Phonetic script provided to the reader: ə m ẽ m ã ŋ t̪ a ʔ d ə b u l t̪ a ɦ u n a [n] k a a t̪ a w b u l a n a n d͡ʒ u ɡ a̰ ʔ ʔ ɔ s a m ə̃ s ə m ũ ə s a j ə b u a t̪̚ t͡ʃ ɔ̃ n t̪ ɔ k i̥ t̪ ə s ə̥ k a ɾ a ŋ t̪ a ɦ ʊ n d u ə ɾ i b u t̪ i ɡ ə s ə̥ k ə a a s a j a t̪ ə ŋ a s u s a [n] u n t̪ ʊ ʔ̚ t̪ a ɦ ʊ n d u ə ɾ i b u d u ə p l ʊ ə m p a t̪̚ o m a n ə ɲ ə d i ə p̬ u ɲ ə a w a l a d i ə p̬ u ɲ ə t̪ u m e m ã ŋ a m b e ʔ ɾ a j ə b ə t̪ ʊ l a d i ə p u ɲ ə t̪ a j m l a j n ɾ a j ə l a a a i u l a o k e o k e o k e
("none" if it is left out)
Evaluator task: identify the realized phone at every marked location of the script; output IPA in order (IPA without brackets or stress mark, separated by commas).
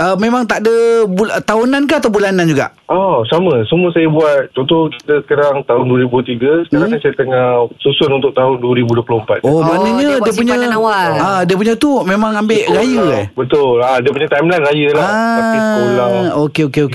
n, n